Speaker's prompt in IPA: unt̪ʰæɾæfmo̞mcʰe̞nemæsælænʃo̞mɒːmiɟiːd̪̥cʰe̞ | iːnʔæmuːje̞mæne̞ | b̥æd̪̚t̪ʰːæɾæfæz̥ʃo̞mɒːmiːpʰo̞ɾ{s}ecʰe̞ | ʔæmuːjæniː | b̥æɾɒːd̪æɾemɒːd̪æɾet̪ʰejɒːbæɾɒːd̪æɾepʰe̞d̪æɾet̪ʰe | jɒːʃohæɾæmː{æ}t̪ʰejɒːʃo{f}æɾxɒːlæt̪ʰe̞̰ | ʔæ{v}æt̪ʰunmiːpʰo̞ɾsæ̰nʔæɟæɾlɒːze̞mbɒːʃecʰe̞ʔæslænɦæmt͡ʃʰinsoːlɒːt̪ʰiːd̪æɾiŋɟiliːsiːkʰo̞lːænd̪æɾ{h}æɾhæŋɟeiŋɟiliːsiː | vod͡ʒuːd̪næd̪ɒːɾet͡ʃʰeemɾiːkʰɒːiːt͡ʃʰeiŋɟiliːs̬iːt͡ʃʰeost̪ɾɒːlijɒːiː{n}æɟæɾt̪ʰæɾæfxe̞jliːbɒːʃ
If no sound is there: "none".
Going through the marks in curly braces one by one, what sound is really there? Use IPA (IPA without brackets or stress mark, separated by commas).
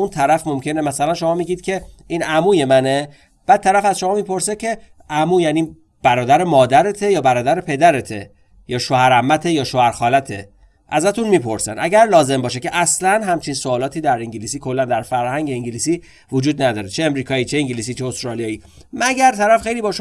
s, æ, h, z, f, m